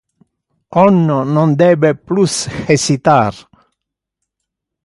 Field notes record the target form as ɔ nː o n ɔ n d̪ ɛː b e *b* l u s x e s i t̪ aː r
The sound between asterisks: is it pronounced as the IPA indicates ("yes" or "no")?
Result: no